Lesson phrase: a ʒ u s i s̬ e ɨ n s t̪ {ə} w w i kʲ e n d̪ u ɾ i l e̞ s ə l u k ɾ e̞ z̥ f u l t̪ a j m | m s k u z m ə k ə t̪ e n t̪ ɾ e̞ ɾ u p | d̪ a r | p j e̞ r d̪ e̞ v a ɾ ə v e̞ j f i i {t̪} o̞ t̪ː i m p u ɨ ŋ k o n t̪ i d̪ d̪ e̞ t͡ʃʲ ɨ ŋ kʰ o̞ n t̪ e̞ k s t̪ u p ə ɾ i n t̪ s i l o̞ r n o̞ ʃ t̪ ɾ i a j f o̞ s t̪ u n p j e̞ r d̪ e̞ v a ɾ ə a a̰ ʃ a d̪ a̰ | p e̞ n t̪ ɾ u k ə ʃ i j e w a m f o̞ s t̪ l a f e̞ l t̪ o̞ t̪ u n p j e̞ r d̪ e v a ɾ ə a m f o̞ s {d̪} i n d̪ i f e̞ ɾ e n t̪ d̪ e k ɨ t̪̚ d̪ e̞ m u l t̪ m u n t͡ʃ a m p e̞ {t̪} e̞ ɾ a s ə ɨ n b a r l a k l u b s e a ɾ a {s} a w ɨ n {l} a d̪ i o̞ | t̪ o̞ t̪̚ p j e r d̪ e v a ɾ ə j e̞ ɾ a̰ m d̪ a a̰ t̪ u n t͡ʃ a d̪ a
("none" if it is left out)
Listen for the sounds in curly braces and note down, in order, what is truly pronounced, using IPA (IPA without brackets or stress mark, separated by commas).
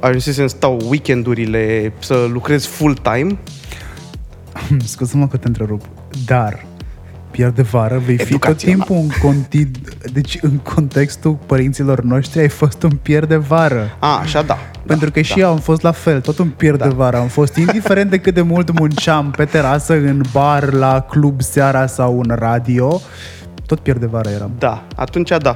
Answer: a, t̪, t̪, t̪, s, r